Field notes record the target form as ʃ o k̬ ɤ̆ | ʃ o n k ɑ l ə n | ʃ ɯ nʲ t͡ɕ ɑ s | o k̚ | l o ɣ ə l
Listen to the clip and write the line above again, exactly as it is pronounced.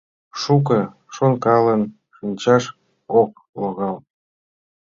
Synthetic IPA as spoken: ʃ u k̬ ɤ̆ | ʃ o n k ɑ l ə n | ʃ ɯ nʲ t͡ɕ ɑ ʃ | o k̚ | l o ɣ ɑ l